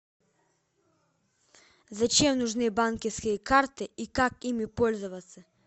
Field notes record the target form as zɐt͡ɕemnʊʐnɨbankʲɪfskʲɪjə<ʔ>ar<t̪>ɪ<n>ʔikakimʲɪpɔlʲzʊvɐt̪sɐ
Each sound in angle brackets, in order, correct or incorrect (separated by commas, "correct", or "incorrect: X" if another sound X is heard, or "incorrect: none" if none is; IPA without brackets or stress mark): incorrect: k, correct, incorrect: none